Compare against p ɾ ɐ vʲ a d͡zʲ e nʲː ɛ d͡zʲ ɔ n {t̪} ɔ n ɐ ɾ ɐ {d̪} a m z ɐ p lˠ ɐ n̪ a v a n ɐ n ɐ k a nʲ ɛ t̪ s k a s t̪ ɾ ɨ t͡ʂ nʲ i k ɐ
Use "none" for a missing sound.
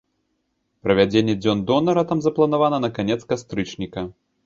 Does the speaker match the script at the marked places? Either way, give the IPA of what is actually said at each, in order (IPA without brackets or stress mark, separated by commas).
d̪, t̪